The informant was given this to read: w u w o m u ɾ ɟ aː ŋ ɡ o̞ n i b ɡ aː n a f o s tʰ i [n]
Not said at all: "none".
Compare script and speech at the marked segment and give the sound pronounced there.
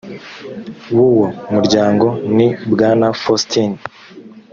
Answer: n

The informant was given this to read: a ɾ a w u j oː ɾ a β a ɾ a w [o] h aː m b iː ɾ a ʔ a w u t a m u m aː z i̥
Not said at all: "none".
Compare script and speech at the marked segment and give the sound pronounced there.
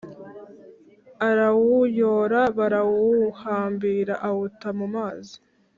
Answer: u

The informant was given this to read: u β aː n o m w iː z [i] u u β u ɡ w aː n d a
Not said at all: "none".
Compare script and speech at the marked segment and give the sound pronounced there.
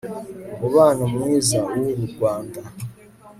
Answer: a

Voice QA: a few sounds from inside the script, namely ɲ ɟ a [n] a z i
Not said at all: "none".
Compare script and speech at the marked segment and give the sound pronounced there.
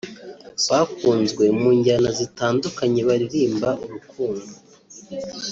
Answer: n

